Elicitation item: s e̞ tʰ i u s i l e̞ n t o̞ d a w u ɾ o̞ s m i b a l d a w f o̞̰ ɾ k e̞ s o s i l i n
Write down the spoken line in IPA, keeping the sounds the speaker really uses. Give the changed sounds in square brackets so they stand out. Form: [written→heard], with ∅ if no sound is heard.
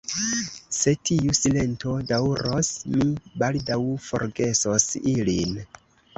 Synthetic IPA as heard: s e̞ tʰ i u s i l e̞ n t o̞ d a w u ɾ o̞ s m i b a l d a w f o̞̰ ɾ [k→ɡ] e̞ s o s i l i n